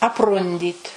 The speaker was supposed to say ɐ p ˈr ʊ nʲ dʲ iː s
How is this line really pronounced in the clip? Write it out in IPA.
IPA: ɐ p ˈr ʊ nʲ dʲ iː t